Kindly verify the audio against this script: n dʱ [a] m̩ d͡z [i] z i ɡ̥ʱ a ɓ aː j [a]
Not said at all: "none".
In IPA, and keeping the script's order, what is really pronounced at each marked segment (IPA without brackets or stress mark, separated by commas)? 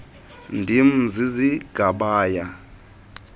i, i, a